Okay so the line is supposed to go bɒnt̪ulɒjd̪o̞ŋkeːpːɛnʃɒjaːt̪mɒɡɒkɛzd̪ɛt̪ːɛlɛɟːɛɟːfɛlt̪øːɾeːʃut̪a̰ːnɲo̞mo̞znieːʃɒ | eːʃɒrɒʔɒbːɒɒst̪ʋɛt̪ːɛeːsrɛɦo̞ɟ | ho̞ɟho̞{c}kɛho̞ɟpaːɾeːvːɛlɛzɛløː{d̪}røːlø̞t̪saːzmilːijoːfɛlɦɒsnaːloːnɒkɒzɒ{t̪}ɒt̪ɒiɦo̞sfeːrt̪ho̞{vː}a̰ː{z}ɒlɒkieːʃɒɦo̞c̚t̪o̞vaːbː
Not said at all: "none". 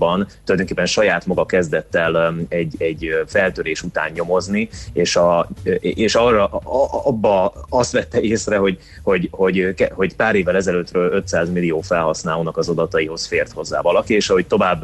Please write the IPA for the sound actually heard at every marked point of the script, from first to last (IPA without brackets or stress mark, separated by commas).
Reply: ɟ, t̪, d̪, zː, v